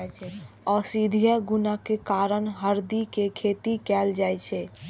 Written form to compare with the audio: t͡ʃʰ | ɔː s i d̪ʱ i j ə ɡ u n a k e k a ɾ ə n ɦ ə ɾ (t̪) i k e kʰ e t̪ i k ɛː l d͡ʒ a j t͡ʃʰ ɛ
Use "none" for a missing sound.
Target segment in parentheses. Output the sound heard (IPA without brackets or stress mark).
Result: d̪